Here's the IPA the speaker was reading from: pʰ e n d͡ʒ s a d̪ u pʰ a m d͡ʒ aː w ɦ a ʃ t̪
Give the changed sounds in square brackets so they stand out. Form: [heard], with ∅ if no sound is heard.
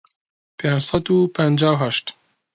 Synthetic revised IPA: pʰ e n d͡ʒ s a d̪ u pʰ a [n] d͡ʒ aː w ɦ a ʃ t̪